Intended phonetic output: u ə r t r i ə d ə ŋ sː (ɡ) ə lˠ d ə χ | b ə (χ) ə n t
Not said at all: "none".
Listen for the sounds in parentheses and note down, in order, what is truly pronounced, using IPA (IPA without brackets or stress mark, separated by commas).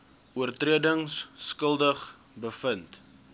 k, f